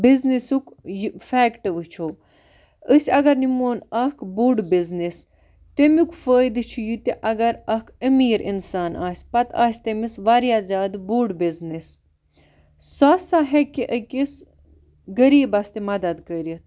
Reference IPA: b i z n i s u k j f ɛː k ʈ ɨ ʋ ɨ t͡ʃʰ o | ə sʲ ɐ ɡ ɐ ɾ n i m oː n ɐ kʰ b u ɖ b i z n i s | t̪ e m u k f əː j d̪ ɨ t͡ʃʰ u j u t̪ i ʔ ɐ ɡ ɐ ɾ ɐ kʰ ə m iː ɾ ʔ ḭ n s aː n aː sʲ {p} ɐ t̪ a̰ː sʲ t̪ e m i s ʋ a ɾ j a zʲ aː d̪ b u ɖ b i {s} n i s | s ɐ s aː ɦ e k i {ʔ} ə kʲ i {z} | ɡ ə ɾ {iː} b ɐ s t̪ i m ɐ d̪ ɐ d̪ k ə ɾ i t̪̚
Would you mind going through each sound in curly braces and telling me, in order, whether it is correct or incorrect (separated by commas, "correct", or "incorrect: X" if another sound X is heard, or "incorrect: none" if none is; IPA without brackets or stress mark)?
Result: correct, incorrect: z, correct, incorrect: s, correct